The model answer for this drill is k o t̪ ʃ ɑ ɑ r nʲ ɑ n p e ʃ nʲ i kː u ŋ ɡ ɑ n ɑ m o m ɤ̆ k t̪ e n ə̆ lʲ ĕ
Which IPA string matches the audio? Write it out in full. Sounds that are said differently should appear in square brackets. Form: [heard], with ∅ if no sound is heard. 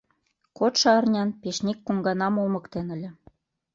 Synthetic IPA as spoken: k o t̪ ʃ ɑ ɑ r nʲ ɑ n p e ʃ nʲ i kː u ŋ ɡ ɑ n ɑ m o m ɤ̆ k t̪ e n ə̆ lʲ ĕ